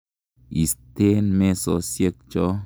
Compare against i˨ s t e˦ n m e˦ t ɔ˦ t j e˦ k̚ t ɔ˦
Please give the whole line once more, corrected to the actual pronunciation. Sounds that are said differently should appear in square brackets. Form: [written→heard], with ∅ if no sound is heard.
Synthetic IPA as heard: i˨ s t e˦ n m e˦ [t→s] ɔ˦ [t→s] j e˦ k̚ [t→t͡ʃ] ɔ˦